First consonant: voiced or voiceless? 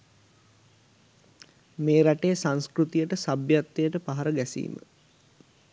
voiced